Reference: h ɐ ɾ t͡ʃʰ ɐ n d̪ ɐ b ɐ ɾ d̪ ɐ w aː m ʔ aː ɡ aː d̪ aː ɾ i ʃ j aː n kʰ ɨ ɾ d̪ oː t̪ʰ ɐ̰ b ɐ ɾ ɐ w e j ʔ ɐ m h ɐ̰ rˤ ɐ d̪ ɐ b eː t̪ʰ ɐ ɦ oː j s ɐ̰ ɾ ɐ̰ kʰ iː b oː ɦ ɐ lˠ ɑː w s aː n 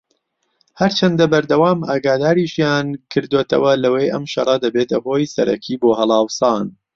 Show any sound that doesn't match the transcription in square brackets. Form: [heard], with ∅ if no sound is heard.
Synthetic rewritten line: h ɐ ɾ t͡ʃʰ ɐ n d̪ ɐ b ɐ ɾ d̪ ɐ w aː m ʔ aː ɡ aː d̪ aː ɾ i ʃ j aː n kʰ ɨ ɾ d̪ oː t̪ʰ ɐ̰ [w] ɐ [l] ɐ w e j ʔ ɐ m [ʃ] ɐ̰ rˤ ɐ d̪ ɐ b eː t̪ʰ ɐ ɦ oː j s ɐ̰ ɾ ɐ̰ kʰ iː b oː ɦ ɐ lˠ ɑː w s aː n